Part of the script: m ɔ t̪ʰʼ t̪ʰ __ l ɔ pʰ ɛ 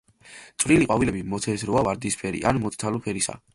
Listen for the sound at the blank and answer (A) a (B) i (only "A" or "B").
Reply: A